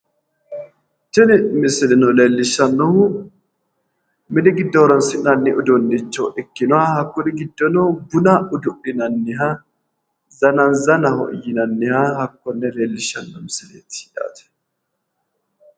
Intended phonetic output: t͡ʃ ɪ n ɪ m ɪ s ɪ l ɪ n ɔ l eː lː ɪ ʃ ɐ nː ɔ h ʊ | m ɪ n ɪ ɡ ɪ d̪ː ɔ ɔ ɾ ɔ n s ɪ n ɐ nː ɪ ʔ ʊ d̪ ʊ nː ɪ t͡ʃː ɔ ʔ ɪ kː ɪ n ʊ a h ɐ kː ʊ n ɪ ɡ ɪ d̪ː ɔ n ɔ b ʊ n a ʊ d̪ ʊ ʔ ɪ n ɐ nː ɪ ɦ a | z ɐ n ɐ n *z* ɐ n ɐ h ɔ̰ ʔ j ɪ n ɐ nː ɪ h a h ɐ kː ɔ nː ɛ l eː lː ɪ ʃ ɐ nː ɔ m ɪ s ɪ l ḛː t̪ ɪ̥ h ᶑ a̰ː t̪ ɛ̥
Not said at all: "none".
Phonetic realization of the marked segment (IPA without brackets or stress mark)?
z